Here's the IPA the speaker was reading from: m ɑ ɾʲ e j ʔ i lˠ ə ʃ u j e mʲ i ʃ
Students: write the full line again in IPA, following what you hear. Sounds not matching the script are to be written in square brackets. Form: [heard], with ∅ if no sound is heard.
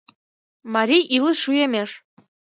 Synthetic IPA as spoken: m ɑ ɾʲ [i] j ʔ i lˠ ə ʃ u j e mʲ [e] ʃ